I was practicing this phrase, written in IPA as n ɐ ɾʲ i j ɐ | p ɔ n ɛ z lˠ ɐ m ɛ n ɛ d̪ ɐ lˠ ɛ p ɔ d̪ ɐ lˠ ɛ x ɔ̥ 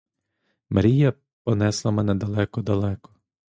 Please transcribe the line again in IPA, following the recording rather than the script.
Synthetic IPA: m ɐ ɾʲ i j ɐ | p ɔ n ɛ s lˠ ɐ m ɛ n ɛ d̪ ɐ lˠ ɛ k ɔ d̪ ɐ lˠ ɛ k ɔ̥

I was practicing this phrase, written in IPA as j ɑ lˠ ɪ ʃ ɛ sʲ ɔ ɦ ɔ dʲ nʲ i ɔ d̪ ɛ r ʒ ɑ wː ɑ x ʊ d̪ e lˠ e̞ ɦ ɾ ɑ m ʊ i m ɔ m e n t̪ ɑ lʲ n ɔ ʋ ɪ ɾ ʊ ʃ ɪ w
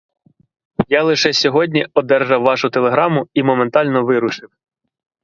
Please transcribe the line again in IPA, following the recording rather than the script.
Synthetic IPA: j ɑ lˠ ɪ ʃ ɛ sʲ ɔ ɦ ɔ dʲ nʲ i ɔ d̪ ɛ r ʒ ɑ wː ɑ ʃ ʊ t̪ e lˠ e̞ ɦ ɾ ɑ m ʊ i m ɔ m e n t̪ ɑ lʲ n ɔ ʋ ɪ ɾ ʊ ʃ ɪ w

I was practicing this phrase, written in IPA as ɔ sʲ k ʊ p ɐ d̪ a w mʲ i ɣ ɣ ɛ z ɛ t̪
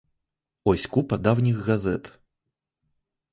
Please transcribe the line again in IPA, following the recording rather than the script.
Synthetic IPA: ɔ sʲ k u p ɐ d̪ a w nʲ i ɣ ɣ a z ɛ t̪

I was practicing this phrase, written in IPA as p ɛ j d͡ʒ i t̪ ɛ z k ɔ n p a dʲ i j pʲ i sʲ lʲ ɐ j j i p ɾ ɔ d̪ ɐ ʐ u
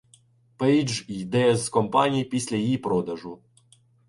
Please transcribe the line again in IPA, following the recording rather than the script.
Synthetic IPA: p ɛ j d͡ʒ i d̪ ɛ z k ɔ m p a nʲ i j pʲ i sʲ lʲ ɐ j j i p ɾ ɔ d̪ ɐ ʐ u

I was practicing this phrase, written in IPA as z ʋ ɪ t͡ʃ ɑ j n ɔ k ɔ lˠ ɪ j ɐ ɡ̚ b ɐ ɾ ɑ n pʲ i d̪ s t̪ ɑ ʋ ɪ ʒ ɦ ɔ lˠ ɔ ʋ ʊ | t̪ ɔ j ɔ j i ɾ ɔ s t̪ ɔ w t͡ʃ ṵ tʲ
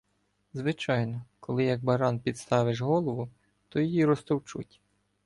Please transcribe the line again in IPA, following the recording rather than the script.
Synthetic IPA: z ʋ ɪ t͡ʃ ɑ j n ɔ k ɔ lˠ ɪ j ɐ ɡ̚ b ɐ ɾ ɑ n pʲ i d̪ s t̪ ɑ ʋ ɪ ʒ ɦ ɔ lˠ ɔ ʋ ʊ | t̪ ɔ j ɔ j i ɾ ɔ s t̪ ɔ w t͡ʃ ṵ tʲ

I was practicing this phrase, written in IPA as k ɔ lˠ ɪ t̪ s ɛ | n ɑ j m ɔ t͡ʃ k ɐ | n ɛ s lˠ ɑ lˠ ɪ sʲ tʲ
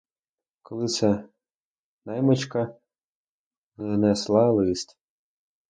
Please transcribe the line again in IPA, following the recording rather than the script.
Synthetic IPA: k ɔ lˠ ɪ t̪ s ɛ | n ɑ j m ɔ t͡ʃ k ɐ | n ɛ s lˠ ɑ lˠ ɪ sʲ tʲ

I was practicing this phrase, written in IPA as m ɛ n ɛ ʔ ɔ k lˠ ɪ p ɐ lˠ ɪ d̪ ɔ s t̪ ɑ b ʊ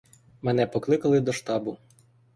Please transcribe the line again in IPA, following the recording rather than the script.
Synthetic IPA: m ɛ n ɛ p ɔ k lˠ ɪ k ɐ lˠ ɪ d̪ ɔ ʃ t̪ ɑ b ʊ

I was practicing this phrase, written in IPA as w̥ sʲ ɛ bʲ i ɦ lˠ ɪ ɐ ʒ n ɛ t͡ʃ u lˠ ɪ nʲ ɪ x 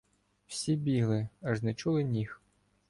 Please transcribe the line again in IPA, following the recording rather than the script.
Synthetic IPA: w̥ sʲ i bʲ i ɦ lˠ ɪ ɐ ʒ n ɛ t͡ʃ u lˠ ɪ nʲ i x

